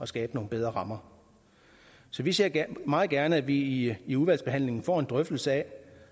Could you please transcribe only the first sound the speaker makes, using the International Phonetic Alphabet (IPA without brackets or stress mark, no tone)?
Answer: ɒ̽